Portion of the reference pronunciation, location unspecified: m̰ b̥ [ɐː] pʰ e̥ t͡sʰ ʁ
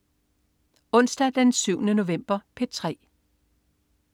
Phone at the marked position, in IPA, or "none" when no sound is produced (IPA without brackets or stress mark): ɐ